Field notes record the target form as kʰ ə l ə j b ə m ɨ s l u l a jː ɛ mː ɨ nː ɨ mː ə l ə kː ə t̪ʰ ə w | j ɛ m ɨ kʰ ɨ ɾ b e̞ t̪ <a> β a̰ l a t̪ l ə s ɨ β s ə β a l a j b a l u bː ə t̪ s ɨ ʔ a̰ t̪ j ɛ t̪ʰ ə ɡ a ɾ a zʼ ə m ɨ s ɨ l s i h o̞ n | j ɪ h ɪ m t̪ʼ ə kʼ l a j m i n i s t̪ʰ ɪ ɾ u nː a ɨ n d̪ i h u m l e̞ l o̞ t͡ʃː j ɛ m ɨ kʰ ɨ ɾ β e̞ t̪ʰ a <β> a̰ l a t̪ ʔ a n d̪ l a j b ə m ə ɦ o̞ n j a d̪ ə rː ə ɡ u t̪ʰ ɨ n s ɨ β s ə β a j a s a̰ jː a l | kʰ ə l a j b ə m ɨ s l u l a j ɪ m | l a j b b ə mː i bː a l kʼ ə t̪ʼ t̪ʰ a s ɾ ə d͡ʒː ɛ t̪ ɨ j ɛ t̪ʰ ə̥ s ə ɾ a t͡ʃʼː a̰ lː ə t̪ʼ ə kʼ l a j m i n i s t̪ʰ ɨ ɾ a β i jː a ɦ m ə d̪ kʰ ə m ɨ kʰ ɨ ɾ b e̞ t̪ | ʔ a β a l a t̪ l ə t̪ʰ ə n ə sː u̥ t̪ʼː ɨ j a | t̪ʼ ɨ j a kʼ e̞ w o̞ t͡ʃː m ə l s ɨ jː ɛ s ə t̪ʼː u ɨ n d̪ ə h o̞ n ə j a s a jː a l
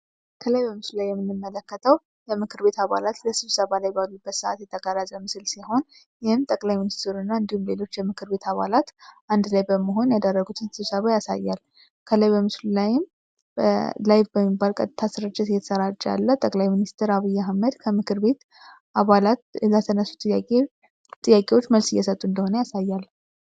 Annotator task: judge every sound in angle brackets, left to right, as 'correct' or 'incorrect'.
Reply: correct, correct

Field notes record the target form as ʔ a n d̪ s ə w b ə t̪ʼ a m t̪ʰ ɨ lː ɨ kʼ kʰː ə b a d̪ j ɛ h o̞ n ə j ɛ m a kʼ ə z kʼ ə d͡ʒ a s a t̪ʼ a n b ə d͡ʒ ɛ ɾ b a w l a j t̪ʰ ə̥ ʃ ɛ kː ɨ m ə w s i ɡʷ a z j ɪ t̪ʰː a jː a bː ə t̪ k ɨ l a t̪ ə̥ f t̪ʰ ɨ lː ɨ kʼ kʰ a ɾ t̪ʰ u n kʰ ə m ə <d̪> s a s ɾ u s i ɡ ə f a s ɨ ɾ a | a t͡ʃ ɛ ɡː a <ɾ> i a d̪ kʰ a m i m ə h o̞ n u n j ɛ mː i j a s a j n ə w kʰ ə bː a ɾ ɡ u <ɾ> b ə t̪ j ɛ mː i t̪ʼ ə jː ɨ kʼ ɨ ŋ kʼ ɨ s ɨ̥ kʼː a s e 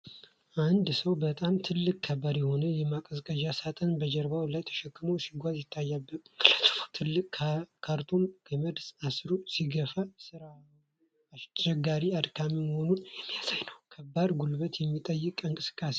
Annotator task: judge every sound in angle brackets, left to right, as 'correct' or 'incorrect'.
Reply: correct, correct, incorrect

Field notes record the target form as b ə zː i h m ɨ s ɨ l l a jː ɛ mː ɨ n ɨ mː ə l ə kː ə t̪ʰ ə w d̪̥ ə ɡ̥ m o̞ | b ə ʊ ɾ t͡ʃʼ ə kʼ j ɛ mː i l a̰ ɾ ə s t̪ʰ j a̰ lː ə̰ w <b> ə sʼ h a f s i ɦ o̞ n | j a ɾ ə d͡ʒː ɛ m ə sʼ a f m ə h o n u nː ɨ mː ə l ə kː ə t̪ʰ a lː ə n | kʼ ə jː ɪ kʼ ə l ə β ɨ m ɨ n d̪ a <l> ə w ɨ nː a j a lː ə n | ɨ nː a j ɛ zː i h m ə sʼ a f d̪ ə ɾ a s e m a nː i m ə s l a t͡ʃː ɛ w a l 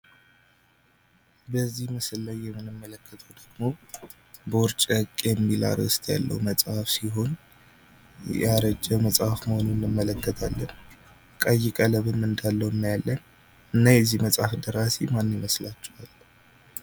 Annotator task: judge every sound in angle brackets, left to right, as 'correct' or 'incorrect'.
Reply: incorrect, incorrect

